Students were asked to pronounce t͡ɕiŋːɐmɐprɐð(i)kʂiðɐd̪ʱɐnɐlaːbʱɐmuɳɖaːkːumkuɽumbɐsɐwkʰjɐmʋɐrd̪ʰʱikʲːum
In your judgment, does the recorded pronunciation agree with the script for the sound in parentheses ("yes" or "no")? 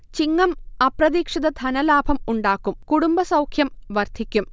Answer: no